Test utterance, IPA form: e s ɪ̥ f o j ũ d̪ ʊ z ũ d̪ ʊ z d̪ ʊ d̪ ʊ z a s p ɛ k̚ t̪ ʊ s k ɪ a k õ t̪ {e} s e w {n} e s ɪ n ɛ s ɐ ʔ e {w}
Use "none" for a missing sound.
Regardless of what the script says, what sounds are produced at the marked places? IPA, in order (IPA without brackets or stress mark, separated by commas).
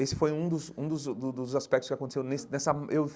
e, n, w